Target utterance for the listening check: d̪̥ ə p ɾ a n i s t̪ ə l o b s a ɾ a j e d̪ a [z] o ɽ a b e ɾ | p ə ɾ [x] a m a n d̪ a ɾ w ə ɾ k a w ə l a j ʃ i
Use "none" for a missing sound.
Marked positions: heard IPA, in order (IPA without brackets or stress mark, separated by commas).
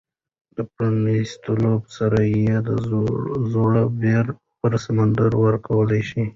z, s